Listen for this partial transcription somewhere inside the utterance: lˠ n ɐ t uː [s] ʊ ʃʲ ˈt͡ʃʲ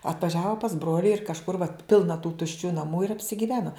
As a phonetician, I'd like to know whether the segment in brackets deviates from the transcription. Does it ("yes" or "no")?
yes